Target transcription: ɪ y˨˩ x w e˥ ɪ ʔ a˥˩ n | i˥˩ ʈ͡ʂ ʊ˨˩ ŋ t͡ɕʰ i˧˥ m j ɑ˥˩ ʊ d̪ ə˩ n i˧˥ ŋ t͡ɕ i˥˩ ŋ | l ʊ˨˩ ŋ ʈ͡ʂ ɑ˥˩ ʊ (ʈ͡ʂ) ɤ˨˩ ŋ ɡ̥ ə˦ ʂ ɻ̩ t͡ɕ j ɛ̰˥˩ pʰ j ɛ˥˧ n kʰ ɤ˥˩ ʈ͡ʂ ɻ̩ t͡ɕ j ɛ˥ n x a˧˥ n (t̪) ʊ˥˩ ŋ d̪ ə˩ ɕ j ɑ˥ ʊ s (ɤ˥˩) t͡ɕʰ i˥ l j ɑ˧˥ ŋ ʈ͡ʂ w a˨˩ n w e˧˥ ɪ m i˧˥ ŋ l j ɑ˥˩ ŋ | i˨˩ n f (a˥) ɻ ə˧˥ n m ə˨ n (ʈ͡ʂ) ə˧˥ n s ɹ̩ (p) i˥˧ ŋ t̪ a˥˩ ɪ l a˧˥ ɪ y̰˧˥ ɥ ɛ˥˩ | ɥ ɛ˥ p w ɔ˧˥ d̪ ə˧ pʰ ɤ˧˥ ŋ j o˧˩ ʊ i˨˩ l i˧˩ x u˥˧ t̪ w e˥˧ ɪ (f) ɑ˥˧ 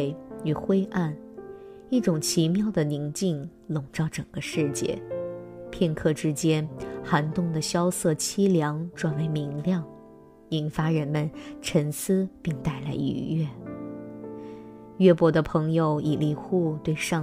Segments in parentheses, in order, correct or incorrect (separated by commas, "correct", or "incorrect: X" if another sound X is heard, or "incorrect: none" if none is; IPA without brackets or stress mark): correct, correct, correct, correct, incorrect: ʈ͡ʂʰ, correct, incorrect: ʂ